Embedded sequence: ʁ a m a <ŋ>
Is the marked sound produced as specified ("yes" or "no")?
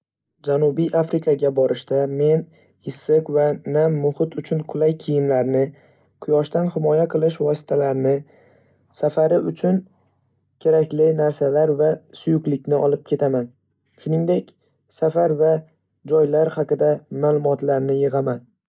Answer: no